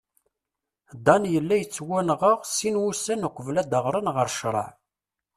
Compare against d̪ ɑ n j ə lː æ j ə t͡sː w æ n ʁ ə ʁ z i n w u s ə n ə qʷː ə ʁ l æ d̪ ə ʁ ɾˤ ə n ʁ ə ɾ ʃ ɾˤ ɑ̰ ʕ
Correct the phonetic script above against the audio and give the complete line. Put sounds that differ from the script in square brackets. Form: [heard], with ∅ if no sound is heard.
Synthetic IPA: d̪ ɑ n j ə lː æ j ə t͡sː w æ n ʁ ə ʁ [s] i n w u s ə n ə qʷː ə [v] l æ d̪ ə ʁ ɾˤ ə n ʁ ə ɾ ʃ ɾˤ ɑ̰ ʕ